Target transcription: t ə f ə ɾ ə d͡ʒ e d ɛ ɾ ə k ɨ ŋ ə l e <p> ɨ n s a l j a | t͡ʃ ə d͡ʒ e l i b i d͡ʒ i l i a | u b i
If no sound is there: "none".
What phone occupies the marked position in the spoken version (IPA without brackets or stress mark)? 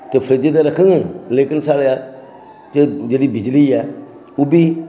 k